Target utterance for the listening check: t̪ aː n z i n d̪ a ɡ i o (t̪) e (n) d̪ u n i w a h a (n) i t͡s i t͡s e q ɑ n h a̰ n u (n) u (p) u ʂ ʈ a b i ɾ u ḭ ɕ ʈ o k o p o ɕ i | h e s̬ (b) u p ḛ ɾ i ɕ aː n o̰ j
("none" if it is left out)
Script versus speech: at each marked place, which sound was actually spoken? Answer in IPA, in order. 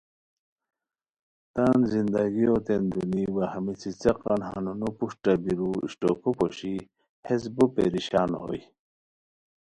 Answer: t̪, n, m, n, p, b

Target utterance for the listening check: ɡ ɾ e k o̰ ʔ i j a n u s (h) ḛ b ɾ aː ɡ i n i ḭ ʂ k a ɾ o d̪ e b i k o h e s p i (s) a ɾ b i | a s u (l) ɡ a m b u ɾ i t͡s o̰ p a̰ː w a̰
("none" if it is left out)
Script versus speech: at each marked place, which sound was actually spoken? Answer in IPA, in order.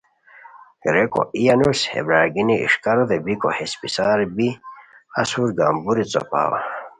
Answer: h, s, ɾ

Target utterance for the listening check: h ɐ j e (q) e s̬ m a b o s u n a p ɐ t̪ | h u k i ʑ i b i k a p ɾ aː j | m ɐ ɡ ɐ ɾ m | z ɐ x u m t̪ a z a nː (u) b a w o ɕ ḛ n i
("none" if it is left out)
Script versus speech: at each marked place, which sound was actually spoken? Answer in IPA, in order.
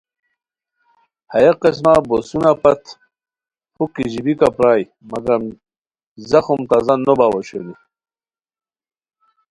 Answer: q, o

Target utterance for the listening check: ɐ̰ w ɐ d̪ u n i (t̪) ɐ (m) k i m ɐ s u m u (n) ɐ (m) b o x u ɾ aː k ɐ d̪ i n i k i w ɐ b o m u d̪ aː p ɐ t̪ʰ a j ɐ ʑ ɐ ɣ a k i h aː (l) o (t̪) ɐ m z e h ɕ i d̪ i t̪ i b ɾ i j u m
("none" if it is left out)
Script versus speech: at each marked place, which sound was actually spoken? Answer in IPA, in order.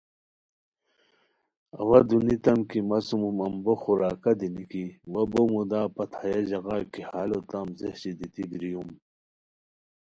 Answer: t̪, m, m, m, l, t̪

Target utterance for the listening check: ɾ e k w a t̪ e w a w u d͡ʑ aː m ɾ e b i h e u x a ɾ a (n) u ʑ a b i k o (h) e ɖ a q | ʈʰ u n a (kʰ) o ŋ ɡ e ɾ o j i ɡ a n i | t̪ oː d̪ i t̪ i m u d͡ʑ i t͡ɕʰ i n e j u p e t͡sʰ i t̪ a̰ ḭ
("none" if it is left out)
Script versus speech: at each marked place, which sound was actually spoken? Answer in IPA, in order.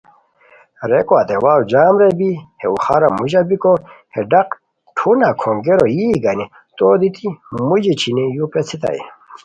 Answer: m, h, kʰ

